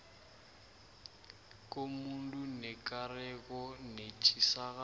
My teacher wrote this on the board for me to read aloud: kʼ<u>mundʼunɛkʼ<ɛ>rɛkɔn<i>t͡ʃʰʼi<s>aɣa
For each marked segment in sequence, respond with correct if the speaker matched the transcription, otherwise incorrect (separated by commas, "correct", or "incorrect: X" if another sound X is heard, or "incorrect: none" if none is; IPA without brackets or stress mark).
incorrect: o, incorrect: a, incorrect: e, correct